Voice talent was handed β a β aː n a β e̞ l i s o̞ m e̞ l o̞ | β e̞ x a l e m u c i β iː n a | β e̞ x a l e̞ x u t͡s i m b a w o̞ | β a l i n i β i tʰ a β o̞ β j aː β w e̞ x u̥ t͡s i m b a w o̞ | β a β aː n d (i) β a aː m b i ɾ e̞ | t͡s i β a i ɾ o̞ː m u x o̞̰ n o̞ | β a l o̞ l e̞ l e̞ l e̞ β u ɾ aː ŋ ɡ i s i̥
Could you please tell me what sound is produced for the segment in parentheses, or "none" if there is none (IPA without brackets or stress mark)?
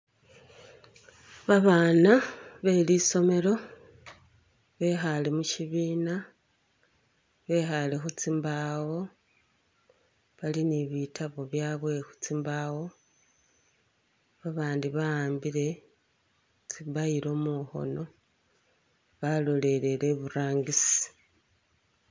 i